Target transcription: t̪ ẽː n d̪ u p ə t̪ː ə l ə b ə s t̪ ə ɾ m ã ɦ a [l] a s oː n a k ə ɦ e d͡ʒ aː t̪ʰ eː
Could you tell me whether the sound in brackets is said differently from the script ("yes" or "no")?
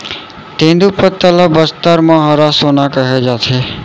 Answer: yes